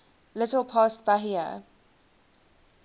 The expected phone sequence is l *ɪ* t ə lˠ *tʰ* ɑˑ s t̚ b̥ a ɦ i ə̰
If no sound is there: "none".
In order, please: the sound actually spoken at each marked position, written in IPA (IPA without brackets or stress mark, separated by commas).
ɪ, pʰ